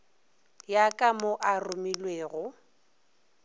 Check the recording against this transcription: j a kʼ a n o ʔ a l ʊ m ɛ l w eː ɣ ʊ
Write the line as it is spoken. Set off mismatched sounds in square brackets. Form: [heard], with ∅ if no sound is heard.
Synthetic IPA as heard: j a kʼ a [m] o ʔ a [r] ʊ m [i] l w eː ɣ ʊ